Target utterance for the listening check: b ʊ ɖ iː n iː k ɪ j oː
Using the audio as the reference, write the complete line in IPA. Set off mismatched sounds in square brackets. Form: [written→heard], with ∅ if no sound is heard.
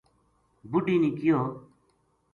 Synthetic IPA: b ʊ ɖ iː n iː k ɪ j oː